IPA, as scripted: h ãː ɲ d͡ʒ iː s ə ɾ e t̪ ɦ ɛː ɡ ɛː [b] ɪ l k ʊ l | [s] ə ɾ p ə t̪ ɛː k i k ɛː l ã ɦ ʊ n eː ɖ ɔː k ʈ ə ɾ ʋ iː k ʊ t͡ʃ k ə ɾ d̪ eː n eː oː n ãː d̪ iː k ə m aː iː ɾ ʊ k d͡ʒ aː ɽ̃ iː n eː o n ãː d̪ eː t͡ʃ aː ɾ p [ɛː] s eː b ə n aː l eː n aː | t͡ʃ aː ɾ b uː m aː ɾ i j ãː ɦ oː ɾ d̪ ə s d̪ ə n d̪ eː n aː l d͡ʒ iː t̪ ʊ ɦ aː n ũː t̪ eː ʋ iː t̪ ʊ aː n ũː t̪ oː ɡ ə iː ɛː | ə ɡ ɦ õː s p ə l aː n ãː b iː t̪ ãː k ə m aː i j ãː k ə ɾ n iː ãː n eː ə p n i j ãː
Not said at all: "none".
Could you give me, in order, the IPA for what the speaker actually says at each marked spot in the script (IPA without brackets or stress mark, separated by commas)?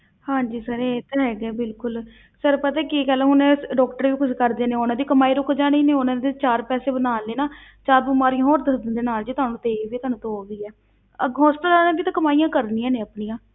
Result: b, s, ɛː